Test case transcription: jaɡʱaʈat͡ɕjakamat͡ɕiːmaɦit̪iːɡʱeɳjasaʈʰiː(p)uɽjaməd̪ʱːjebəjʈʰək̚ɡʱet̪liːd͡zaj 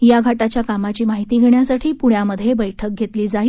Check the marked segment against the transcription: correct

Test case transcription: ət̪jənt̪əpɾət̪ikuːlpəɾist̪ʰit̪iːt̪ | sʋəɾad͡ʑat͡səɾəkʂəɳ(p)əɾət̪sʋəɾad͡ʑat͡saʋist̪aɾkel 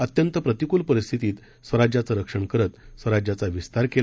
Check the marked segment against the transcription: incorrect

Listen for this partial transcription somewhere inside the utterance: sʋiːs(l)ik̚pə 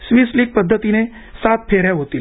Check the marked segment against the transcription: correct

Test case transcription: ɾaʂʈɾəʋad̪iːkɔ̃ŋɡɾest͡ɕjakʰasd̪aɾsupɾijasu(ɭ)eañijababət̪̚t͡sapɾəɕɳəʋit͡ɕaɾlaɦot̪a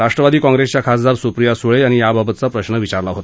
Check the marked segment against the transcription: correct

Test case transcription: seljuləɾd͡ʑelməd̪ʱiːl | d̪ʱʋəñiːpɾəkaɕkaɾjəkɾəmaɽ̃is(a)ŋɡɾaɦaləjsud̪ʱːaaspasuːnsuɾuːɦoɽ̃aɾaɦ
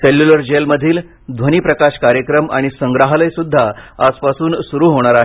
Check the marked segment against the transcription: incorrect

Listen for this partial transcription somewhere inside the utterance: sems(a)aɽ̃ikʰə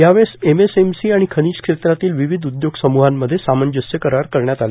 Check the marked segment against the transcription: incorrect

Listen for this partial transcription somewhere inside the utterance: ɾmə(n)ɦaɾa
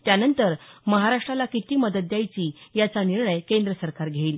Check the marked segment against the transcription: incorrect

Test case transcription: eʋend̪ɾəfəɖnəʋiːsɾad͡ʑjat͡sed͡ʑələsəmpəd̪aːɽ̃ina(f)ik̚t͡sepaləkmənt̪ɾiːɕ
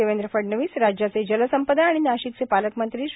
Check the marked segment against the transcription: incorrect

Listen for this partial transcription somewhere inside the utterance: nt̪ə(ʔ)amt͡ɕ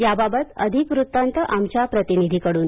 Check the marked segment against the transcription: correct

